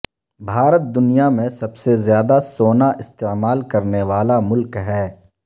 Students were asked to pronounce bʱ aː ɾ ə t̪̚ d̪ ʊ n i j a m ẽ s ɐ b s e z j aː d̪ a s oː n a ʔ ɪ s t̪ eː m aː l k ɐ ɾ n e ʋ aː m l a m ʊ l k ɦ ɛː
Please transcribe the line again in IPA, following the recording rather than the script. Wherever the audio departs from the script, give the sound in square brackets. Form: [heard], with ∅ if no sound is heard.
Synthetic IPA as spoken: bʱ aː ɾ ə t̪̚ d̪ ʊ n i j a m ẽ s ɐ b s e z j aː d̪ a s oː n a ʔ ɪ s t̪ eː m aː l k ɐ ɾ n e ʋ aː [∅] l a m ʊ l k ɦ ɛː